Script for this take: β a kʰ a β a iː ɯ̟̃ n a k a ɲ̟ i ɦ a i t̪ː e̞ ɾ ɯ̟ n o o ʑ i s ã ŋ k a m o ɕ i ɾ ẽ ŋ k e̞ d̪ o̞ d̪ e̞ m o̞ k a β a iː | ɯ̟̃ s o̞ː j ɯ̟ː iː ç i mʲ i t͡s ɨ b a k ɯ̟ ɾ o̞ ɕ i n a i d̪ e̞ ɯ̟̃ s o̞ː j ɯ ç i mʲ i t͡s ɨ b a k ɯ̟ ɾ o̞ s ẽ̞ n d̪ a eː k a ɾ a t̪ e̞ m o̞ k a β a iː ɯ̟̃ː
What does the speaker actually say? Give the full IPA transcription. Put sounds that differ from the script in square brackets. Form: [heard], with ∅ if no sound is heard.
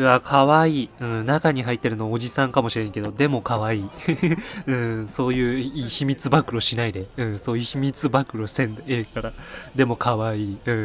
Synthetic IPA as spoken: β a kʰ a β a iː ɯ̟̃ n a k a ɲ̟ i ɦ a i t̪ː e̞ ɾ ɯ̟ n o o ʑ i s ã ŋ k a m o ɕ i ɾ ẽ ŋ k e̞ d̪ o̞ d̪ e̞ m o̞ k a β a iː | ɯ̟̃ s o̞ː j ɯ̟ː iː ç i mʲ i t͡s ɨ b a k ɯ̟ ɾ o̞ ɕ i n a i d̪ e̞ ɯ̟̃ s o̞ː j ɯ ç i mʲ i t͡s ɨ b a k ɯ̟ ɾ o̞ s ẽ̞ n d̪ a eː k a ɾ a [d̪] e̞ m o̞ k a β a iː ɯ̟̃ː